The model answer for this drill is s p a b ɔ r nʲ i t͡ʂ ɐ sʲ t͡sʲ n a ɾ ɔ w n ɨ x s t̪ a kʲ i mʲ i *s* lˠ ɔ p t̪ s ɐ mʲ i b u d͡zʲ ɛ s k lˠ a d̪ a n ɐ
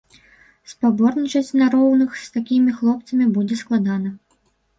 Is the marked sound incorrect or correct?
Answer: incorrect